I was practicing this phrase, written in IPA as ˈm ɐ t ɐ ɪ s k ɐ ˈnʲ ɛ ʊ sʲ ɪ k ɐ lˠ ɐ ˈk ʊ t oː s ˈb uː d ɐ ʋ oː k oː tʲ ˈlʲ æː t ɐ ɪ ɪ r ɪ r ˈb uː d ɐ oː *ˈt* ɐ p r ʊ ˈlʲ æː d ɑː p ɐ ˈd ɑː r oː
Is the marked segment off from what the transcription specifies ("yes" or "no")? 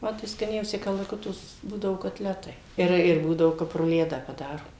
yes